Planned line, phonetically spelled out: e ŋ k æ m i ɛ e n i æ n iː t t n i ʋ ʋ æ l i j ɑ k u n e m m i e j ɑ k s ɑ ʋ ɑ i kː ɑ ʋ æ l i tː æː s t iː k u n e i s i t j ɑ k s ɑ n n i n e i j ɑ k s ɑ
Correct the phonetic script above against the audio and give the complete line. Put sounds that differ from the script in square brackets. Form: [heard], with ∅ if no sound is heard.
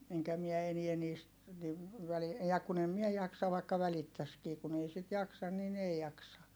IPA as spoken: e ŋ k æ m i ɛ e n i æ n iː [s] t n i ʋ ʋ æ l i j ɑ k u n e m m i e j ɑ k s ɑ ʋ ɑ i kː ɑ ʋ æ l i tː [æ] s [k] iː k u n e i s i t j ɑ k s ɑ n n i n e i j ɑ k s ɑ